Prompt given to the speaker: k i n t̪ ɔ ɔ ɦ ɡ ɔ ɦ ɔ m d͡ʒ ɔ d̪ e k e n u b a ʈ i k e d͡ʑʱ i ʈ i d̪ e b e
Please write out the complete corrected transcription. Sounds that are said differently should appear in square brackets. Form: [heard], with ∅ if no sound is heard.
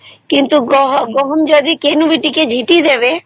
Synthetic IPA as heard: k i n t̪ [u] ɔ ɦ ɡ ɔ ɦ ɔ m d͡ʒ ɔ d̪ [i] k e n u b [i] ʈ i k e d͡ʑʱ i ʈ i d̪ e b e